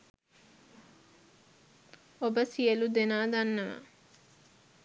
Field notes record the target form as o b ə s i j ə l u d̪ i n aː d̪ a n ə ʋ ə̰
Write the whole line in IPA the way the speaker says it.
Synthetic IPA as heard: o b ə s i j ə l u d̪ e n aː d̪ a nː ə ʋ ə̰